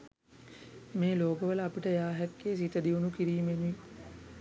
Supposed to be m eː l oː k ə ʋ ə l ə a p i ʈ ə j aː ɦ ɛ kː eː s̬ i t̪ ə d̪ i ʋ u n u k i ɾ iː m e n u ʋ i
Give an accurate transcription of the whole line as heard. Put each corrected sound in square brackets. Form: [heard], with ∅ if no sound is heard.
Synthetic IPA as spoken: m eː l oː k ə ʋ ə l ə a p i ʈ ə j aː ɦ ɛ kː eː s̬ i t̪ ə d̪ i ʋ u n u k i ɾ iː m e n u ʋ i